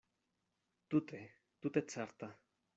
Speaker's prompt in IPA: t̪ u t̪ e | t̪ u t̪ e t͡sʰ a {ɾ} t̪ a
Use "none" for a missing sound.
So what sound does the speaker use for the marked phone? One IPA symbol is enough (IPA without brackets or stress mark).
ɾ